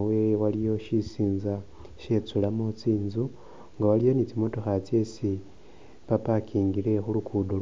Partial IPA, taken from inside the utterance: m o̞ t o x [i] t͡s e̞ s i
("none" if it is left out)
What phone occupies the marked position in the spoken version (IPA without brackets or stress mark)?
a